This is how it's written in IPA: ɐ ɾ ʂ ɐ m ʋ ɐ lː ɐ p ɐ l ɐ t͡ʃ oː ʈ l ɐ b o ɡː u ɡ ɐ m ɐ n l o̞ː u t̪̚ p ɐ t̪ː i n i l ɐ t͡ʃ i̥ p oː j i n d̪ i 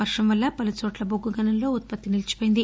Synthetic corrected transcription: ɐ ɾ ʂ ɐ m ʋ ɐ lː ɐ p ɐ l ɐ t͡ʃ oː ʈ l ɐ b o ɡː u ɡ ɐ n ɐ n l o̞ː u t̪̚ p ɐ t̪ː i n i l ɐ t͡ʃ i̥ p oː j i n d̪ i